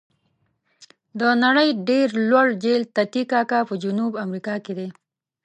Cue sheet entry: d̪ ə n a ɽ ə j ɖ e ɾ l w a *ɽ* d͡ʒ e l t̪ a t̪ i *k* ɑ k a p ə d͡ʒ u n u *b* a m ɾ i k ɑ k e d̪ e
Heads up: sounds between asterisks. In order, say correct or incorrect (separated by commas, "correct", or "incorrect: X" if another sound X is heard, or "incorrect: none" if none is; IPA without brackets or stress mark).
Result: correct, correct, correct